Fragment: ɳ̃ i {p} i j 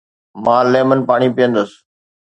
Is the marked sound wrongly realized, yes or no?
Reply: no